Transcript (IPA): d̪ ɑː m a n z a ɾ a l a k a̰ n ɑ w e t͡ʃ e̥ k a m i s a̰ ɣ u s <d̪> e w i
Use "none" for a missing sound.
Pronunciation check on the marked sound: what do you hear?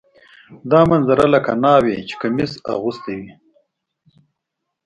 t̪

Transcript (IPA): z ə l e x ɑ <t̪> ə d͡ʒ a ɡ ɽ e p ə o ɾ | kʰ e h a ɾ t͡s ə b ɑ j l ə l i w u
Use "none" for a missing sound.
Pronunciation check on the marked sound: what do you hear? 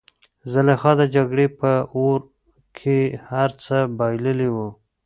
d̪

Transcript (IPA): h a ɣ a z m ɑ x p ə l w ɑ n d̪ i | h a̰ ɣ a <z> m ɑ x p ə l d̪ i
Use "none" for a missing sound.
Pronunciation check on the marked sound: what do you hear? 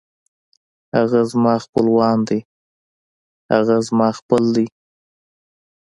z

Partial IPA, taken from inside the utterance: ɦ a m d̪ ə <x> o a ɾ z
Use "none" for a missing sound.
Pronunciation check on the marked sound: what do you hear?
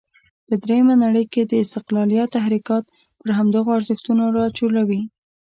ɣ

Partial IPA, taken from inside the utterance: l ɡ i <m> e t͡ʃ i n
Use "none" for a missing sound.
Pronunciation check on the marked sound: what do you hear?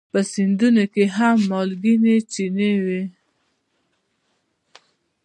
n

